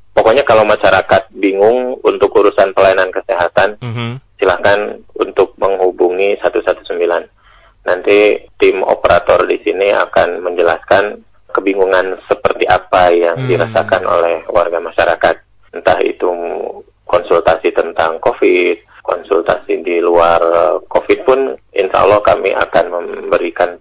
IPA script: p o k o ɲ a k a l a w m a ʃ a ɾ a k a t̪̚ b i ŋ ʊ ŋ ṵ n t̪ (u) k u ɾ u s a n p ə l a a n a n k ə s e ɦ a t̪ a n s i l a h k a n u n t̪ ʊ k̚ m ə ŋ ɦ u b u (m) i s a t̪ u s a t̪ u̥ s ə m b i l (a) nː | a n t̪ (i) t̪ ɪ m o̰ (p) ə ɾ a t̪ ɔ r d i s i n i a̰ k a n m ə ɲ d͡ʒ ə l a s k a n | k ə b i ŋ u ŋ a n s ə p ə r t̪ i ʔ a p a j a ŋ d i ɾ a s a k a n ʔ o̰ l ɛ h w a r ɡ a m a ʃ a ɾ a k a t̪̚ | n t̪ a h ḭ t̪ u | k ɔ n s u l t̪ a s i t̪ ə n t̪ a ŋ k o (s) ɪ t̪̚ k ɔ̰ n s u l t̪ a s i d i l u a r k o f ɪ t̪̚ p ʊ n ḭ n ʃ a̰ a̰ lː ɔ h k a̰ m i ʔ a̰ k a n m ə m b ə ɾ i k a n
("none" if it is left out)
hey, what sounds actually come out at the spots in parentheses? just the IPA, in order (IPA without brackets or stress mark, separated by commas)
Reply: ʊ, ŋ, a, i, p, f